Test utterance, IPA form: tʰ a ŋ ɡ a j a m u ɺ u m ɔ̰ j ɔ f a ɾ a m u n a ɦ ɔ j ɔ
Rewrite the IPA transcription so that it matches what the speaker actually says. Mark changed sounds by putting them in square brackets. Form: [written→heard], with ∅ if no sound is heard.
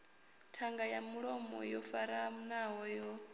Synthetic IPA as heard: tʰ a ŋ ɡ a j a m u ɺ [u→ɔ] m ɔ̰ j ɔ f a ɾ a m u n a ɦ ɔ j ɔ